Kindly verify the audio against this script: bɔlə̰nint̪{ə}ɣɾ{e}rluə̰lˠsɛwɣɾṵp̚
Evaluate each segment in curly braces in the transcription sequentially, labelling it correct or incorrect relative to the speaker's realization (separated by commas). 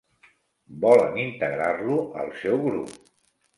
correct, incorrect